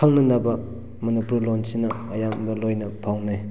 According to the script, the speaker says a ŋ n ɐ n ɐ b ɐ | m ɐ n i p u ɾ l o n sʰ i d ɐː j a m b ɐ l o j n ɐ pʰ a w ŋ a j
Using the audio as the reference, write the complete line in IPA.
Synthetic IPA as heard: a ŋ n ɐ n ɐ b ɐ | m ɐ n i p u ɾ l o n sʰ i n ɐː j a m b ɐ l o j n ɐ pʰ a w n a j